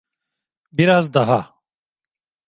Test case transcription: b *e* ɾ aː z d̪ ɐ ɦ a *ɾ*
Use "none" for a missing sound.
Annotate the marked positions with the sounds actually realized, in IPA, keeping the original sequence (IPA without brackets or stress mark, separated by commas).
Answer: i, none